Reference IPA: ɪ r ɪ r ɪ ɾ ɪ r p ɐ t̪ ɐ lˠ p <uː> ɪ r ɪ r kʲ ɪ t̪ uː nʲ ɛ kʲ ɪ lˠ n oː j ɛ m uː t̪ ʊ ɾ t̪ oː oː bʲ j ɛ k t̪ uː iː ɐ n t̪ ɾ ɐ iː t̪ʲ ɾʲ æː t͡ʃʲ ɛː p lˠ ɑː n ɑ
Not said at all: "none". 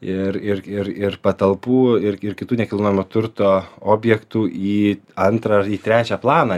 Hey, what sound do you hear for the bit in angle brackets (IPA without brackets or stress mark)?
uː